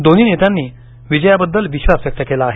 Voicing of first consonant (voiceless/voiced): voiced